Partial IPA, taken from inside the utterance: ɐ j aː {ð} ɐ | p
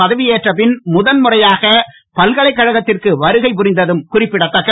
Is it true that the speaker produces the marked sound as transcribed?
no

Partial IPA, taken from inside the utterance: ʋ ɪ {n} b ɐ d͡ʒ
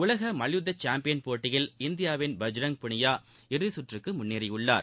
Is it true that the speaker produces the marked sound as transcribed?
yes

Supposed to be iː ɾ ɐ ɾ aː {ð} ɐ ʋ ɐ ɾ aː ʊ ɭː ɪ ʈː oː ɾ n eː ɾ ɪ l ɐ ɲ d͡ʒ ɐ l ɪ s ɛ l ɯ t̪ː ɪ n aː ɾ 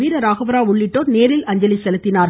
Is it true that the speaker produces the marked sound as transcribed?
no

